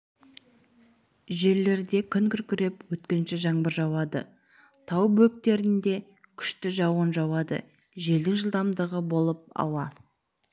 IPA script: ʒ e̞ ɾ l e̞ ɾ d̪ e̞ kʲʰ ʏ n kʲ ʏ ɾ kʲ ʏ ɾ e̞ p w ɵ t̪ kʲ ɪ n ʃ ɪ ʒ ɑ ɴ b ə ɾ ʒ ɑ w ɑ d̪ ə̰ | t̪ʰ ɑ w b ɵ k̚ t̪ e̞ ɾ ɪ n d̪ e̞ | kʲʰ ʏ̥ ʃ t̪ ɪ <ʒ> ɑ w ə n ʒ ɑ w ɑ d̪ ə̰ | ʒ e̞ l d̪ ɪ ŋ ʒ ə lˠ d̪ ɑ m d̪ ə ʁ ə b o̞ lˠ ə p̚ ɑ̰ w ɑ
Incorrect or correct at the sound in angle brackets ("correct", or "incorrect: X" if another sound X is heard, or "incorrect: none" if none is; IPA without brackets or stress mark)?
correct